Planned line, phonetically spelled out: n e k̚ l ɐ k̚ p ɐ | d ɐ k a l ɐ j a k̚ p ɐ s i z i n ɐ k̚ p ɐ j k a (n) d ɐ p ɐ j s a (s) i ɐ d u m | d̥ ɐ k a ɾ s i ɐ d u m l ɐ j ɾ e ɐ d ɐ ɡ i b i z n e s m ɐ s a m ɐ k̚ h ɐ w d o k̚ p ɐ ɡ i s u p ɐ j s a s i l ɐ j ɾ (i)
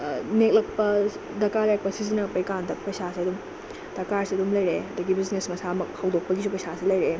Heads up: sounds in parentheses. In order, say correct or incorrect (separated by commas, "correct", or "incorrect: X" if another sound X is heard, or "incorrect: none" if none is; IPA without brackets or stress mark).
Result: correct, correct, incorrect: e